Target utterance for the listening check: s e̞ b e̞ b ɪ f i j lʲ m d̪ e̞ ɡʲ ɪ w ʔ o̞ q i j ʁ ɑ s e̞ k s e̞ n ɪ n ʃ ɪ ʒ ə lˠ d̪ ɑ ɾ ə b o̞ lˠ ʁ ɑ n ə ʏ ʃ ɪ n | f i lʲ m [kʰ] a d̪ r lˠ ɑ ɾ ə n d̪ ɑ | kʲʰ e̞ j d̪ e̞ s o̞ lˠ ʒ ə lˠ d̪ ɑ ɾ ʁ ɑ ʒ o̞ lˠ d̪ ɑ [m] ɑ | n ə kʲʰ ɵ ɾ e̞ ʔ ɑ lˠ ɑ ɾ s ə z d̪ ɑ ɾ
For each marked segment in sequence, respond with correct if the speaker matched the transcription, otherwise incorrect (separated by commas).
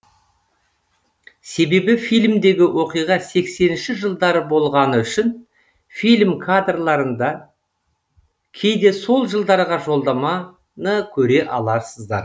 correct, correct